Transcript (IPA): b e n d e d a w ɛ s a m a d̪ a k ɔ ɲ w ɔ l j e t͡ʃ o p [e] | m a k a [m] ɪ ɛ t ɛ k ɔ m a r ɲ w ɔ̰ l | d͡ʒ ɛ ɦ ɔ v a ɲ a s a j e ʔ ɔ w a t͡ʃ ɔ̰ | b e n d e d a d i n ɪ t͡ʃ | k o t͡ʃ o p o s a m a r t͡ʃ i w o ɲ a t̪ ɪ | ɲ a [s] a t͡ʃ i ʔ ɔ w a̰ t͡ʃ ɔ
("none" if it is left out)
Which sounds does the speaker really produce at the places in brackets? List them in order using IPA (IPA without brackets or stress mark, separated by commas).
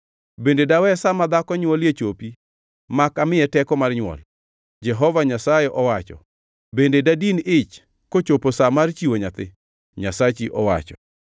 i, m, s